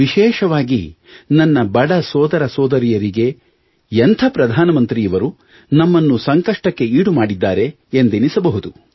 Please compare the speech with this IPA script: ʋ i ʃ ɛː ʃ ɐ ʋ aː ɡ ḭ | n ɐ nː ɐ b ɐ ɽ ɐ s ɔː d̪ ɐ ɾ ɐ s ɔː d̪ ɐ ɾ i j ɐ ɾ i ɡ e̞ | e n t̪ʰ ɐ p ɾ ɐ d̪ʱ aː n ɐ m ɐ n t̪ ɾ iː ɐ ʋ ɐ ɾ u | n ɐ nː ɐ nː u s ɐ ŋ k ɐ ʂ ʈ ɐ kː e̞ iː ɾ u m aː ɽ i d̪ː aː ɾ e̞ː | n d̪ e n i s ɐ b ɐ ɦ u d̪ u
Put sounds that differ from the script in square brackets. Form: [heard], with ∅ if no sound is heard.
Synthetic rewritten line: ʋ i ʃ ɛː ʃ ɐ ʋ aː ɡ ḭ | n ɐ nː ɐ b ɐ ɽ ɐ s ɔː d̪ ɐ ɾ ɐ s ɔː d̪ ɐ ɾ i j ɐ ɾ i ɡ e̞ | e n t̪ʰ ɐ p ɾ ɐ d̪ʱ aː n ɐ m ɐ n t̪ ɾ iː ɐ ʋ ɐ ɾ u | n ɐ [mː] ɐ nː u s ɐ ŋ k ɐ ʂ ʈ ɐ kː e̞ iː [ɽ] u m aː ɽ i d̪ː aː ɾ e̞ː | n d̪ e n i s ɐ b ɐ ɦ u d̪ u

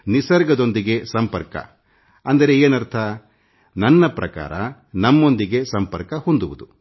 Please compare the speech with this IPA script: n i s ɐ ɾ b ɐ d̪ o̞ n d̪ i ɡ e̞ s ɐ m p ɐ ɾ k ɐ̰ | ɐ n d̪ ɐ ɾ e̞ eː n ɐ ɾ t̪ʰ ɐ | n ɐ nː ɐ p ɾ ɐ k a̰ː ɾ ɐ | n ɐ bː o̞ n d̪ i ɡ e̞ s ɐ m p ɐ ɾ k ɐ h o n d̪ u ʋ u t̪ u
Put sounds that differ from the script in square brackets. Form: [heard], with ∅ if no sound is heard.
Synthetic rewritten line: n i s ɐ ɾ [ɡ] ɐ d̪ o̞ n d̪ i ɡ e̞ s ɐ m p ɐ ɾ k ɐ̰ | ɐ n d̪ ɐ ɾ e̞ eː n ɐ ɾ t̪ʰ ɐ | n ɐ nː ɐ p ɾ ɐ k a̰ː ɾ ɐ | n ɐ [mː] o̞ n d̪ i ɡ e̞ s ɐ m p ɐ ɾ k ɐ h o n d̪ u ʋ u [d̪] u

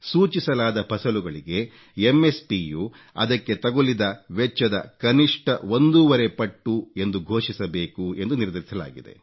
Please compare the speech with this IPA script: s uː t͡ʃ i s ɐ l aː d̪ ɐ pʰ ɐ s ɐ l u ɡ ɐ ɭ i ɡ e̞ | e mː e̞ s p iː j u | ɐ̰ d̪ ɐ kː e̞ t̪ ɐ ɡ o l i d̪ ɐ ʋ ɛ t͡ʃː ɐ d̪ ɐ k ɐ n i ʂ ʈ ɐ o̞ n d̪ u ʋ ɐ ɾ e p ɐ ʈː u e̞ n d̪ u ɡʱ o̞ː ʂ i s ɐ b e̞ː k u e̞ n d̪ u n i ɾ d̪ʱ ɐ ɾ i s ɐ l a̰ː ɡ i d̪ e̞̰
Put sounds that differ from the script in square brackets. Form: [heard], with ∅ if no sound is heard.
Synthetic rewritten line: s uː t͡ʃ i s ɐ l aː d̪ ɐ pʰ ɐ s ɐ l u ɡ ɐ ɭ i ɡ e̞ | e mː e̞ s p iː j u | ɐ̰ d̪ ɐ kː e̞ t̪ ɐ ɡ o l i d̪ ɐ ʋ ɛ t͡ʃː ɐ d̪ ɐ k ɐ n i ʂ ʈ ɐ o̞ n d̪ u ʋ ɐ ɾ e p ɐ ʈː u e̞ n d̪ u ɡʱ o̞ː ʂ i s ɐ b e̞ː k u e̞ n d̪ u n i ɾ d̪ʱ ɐ ɾ i s ɐ l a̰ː ɡ i d̪ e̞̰

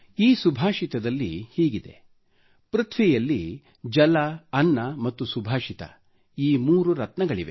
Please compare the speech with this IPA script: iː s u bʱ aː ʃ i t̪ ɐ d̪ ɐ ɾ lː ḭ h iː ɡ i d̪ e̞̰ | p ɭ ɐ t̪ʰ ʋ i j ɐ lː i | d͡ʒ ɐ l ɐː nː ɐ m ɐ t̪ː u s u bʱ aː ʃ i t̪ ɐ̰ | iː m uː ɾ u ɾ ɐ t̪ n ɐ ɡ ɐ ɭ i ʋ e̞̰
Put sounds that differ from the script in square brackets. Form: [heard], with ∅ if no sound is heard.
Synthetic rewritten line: iː s u bʱ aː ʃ i t̪ ɐ d̪ ɐ [∅] lː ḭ h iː ɡ i d̪ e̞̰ | p [ɾ] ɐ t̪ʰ ʋ i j ɐ lː i | d͡ʒ ɐ l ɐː nː ɐ m ɐ t̪ː u s u bʱ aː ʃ i t̪ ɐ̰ | iː m uː ɾ u ɾ ɐ t̪ n ɐ ɡ ɐ ɭ i ʋ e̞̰

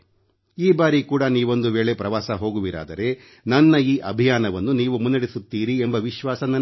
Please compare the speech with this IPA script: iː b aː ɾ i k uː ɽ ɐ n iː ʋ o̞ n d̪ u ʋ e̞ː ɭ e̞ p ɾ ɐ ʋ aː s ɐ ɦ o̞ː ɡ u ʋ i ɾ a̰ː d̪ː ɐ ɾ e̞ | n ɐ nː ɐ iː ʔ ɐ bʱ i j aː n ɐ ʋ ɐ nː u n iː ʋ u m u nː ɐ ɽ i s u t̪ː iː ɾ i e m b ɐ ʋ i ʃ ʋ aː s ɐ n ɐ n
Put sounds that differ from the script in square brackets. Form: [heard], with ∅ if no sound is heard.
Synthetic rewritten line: iː b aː ɾ i k uː ɽ ɐ n iː ʋ o̞ n d̪ u ʋ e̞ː ɭ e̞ p ɾ ɐ ʋ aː s ɐ ɦ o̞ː ɡ u ʋ i ɾ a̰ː [d̪] ɐ ɾ e̞ | n ɐ nː ɐ iː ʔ ɐ bʱ i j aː n ɐ ʋ ɐ nː u n iː ʋ u m u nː ɐ ɽ i s u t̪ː iː ɾ i e m b ɐ ʋ i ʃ ʋ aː s ɐ n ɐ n

